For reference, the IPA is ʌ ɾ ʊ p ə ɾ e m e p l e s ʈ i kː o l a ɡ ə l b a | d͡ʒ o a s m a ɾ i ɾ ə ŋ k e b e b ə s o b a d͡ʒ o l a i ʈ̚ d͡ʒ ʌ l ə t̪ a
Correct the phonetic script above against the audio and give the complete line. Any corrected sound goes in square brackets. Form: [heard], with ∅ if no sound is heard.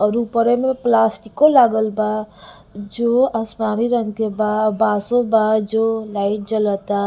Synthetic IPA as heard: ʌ ɾ [u] p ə ɾ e m e p l [a] s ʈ i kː o l a ɡ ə l b a | d͡ʒ o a s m a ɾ i ɾ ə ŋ k e b [a] b [a] s o b a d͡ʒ o l a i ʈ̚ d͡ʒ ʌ l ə t̪ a

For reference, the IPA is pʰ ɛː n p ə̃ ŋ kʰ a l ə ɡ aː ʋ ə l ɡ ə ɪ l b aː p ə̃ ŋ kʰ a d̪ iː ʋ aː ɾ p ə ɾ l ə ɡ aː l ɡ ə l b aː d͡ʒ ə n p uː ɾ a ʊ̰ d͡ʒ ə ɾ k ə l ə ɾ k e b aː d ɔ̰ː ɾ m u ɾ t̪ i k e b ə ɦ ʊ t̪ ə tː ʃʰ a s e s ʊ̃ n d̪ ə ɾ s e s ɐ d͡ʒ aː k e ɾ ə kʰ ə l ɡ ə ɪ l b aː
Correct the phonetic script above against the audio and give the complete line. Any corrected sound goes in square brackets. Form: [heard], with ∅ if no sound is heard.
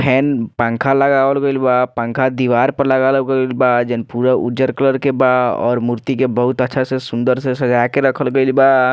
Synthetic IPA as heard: pʰ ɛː n p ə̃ ŋ kʰ a l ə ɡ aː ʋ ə l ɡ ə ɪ l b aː p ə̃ ŋ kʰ a d̪ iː ʋ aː ɾ p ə ɾ l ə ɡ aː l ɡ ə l b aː d͡ʒ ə n p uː ɾ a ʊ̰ d͡ʒ ə ɾ k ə l ə ɾ k e b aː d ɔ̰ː ɾ m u ɾ t̪ i k e b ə ɦ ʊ t̪ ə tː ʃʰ a s e s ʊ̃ n d̪ ə ɾ s e s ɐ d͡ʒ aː k e ɾ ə kʰ ə l ɡ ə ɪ l b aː

